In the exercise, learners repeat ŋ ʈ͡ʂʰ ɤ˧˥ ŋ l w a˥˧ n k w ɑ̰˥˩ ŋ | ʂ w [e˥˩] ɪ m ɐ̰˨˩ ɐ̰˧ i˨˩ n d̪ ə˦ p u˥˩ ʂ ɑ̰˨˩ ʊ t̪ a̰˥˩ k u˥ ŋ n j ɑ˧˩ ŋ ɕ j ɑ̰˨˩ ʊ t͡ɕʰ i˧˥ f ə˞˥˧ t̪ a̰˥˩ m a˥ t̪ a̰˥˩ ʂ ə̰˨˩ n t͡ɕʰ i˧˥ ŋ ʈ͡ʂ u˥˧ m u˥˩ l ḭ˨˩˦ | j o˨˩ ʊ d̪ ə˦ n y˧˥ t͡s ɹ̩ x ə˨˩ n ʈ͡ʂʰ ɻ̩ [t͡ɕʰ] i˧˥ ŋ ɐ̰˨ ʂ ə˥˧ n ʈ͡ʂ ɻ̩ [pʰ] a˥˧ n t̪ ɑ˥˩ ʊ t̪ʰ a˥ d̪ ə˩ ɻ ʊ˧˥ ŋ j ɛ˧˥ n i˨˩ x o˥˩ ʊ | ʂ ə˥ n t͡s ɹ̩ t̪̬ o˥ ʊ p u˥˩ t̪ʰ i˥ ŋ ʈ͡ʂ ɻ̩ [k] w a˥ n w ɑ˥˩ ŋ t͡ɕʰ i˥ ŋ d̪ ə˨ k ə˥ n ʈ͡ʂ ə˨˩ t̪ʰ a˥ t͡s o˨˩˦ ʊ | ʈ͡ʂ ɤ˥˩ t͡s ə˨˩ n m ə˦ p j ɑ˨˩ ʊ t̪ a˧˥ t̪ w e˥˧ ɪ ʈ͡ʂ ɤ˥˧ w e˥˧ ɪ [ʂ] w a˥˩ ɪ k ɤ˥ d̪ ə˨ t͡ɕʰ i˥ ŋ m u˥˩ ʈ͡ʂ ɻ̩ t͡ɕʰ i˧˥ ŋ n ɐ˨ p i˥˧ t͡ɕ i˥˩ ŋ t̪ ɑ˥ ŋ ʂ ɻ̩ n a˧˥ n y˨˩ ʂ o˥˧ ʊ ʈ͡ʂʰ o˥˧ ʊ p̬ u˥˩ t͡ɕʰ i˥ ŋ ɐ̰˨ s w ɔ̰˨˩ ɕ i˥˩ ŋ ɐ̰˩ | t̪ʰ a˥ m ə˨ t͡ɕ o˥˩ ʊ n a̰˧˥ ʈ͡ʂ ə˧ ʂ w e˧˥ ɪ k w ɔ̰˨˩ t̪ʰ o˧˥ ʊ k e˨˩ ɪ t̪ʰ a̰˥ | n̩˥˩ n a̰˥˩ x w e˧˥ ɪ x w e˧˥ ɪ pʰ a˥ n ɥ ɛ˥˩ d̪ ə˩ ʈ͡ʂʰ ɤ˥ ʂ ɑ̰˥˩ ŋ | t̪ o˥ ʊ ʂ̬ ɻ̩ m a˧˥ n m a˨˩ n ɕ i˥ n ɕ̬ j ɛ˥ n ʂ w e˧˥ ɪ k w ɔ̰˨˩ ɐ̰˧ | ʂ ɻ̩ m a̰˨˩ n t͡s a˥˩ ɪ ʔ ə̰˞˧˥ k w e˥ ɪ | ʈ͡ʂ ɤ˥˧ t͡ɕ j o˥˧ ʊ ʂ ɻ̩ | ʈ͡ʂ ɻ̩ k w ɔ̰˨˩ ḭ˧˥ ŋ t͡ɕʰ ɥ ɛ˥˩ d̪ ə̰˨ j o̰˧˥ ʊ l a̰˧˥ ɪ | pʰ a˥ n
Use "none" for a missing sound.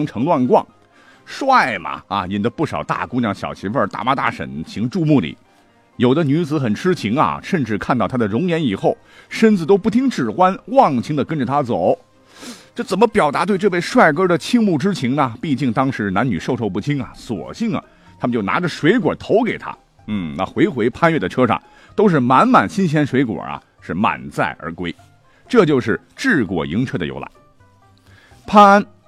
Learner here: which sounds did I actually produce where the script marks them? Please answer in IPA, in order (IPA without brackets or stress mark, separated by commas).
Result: a˥˩, t͡ɕʰ, kʰ, x, ʂ